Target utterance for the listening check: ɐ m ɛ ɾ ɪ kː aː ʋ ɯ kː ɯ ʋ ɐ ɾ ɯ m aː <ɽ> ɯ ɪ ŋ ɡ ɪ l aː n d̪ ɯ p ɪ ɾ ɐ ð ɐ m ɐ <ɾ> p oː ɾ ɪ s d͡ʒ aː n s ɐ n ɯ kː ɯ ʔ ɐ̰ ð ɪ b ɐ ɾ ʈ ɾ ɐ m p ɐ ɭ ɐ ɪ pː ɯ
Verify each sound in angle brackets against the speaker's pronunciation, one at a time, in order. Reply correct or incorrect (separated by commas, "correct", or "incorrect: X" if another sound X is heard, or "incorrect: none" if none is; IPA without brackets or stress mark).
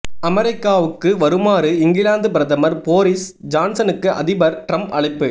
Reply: incorrect: ɾ, correct